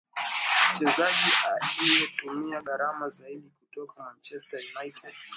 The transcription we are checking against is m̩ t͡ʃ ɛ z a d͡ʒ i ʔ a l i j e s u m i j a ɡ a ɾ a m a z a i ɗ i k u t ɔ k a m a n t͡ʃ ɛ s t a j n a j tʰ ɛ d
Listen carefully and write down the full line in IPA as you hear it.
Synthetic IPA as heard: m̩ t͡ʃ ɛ z a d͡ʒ i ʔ a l i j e t u m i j a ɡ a ɾ a m a z a i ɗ i k u t ɔ k a m a n t͡ʃ ɛ s t a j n a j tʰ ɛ d